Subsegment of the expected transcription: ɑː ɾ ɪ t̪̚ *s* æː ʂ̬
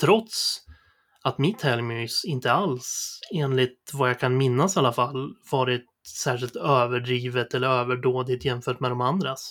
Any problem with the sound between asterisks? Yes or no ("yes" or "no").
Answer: no